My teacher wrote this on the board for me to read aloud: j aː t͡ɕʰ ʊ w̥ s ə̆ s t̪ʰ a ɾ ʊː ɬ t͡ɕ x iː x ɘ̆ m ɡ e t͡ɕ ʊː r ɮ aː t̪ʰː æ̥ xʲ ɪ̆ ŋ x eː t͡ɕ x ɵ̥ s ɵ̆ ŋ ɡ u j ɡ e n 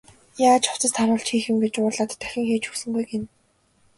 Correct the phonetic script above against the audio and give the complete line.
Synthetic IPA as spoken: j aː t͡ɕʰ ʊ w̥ t͡s ə̆ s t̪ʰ a ɾ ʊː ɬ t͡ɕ x iː x ɘ̆ m ɡ e t͡ɕ ʊː r ɮ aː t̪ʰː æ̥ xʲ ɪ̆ ŋ x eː t͡ɕ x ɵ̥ s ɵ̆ ŋ ɡ u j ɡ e n

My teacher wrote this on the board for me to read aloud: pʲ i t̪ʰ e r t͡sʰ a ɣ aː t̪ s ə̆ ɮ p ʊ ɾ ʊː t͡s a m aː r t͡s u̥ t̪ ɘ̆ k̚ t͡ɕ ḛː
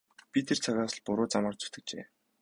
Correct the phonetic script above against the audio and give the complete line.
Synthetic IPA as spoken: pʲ i t̪ʰ e r t͡sʰ a ɣ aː s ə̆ ɮ p ʊ ɾ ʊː t͡s a m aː r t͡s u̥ t̪ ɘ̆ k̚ t͡ɕ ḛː

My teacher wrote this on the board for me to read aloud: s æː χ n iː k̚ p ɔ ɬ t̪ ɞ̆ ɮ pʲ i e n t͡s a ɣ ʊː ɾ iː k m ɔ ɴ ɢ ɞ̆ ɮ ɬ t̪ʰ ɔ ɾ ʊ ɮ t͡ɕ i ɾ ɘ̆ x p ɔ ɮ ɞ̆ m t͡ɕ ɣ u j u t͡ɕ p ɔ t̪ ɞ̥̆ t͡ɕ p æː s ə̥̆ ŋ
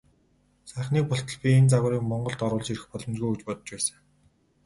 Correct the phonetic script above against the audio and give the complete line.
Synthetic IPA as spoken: s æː χ n iː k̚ p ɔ ɬ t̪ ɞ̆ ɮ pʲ i e n t͡s a ɣ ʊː ɾ iː k m ɔ ɴ ɢ ɞ̆ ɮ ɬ t̪ ɔ ɾ ʊː ɮ t͡ɕ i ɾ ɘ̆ x p ɔ ɮ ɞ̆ m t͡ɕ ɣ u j u t͡ɕ p ɔ t̪ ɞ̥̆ t͡ɕ p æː s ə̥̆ ŋ

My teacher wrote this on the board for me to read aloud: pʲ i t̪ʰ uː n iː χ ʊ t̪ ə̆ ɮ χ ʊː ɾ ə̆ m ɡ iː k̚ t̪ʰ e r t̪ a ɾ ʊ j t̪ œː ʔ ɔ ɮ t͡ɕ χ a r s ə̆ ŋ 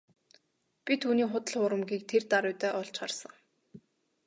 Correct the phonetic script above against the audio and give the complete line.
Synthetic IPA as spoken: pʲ i t̪ʰ uː n iː χ ʊ t̪ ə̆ ɮ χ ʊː ɾ ə̆ m ɡ iː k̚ t̪ʰ e r t̪ a ɾ ʊ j t̪ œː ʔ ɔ ɮ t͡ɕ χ a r s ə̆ ŋ

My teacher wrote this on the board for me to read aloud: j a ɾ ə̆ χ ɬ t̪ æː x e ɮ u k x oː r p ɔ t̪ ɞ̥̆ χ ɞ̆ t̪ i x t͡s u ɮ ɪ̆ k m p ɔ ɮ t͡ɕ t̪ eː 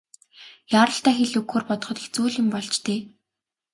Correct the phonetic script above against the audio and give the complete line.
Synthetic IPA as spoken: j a ɾ ə̆ ɬ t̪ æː x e ɮ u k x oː r p ɔ t̪ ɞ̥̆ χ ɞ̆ t̪ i x t͡s uː ɮ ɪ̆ m p ɔ ɮ t͡ɕ t̪ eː

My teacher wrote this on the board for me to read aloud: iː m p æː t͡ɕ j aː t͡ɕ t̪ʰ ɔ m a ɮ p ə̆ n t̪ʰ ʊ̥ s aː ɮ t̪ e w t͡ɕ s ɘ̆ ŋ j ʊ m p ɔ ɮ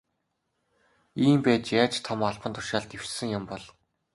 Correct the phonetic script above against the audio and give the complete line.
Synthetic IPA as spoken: iː m p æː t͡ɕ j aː t͡ɕ t̪ʰ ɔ m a ɮ p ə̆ n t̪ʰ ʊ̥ ʃ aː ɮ t̪ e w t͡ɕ s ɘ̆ ŋ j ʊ m p ɔ ɮ

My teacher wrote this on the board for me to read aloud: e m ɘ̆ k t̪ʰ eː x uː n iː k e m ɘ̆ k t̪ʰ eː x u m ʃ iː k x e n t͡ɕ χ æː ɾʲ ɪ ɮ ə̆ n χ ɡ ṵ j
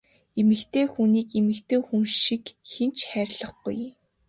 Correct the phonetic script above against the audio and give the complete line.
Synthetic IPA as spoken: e m ɘ̆ k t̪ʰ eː x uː n iː k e m ɘ̆ k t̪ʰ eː x u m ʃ i k x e n t͡ɕ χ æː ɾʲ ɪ ɮ ə̆ χ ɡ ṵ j

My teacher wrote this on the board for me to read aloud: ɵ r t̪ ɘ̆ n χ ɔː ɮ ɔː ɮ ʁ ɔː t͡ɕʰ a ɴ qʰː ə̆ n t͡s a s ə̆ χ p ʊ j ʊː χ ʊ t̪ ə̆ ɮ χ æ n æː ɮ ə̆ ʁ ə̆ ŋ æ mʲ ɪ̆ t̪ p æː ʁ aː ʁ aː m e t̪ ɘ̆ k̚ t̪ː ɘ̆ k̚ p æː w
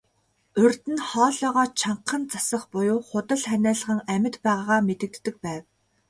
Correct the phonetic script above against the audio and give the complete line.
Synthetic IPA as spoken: ɵ r t̪ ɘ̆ n χ ɔː ɮ ɔː ʁ ɔː t͡ɕʰ a ɴ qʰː ə̆ n t͡s a s ə̆ χ p ʊ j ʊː χ ʊ t̪ ə̆ ɮ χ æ n æː ɮ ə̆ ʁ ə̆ ŋ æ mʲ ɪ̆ t̪ p æː ʁ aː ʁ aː m e t̪ ɘ̆ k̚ t̪ː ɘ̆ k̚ p æː w

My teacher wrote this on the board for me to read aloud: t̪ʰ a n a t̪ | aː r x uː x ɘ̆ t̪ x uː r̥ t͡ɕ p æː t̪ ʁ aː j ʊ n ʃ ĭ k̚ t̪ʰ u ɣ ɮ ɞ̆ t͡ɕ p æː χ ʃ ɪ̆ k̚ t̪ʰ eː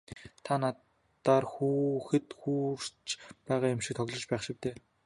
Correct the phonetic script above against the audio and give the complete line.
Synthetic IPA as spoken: t̪ʰ a n a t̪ | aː r x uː x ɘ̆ t̪ x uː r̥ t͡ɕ p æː ʁ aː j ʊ m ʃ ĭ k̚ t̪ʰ ɔ ɣ ɮ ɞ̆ t͡ɕ p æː χ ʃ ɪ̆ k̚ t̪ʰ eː

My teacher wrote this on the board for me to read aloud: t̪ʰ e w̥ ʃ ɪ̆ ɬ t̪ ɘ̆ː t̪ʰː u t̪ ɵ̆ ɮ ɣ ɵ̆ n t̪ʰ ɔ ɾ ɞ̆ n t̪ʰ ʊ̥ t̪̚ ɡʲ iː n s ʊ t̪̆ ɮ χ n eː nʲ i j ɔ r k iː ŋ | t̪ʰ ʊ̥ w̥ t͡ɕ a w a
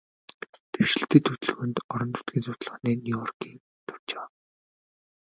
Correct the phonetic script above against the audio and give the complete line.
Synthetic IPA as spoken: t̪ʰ e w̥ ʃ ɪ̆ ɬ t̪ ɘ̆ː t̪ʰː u t̪ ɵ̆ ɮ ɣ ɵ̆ n t̪ ɔ ɾ ɞ̆ n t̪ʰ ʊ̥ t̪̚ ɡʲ iː n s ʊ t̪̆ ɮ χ n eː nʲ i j ɔ r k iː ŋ | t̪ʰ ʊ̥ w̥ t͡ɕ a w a

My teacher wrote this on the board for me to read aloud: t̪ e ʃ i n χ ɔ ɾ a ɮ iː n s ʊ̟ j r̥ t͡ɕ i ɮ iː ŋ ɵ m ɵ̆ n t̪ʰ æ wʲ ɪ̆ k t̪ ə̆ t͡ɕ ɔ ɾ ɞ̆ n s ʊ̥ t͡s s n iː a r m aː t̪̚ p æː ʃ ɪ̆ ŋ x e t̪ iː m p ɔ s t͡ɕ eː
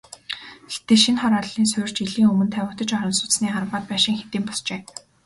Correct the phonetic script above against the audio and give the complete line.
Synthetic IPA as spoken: t̪ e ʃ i n χ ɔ ɾ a ɮ iː n s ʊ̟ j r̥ t͡ɕ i ɮ iː ŋ ɵ m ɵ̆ n t̪ʰ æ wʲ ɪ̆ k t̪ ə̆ t͡ɕ ɔ ɾ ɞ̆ n s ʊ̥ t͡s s n iː a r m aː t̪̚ p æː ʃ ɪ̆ ŋ x e t̪ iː m p ɔ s t͡ɕ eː

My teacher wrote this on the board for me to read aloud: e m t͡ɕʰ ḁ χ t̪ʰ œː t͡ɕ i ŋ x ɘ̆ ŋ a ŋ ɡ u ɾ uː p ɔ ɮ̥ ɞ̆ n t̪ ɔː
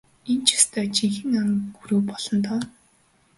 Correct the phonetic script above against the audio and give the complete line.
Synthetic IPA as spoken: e n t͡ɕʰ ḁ s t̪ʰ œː t͡ɕ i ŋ x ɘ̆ ŋ a ŋ ɡ u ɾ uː p ɔ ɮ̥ ɞ̆ n t̪ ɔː

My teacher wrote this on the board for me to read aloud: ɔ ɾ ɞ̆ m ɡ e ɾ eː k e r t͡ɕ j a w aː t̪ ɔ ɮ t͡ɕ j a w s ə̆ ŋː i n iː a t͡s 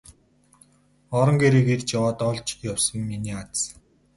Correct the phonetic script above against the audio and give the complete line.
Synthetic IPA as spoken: ɔ ɾ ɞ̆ ŋ ɡ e ɾ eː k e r t͡ɕ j a w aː t̪ ɔ ɮ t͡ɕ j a w s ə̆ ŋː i n iː a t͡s

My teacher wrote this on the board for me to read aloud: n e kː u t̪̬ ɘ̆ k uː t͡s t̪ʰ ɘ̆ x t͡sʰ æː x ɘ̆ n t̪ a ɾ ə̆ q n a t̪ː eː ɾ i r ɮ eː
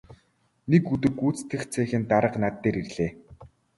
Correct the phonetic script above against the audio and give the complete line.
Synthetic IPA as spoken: n e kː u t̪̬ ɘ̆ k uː t͡s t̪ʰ ɘ̆ x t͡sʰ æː x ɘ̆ n t̪ a ɾ ə̆ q n a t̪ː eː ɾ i r ɮ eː

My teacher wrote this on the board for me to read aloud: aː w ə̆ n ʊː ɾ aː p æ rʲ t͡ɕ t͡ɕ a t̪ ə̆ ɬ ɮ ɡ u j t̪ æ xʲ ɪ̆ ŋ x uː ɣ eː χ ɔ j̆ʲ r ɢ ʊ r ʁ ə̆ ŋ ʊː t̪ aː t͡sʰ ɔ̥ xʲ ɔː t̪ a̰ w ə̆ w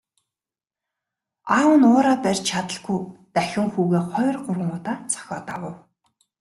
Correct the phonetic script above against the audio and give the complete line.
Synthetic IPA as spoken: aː w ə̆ n ʊː ɾ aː p æ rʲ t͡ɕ t͡ɕʰ a t̪ ə̆ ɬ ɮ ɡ u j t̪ æ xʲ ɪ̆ ŋ x uː ɣ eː χ ɔ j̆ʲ r ɢ ʊ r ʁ ə̆ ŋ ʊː t̪ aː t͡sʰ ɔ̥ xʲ ɔː t̪ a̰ w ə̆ w

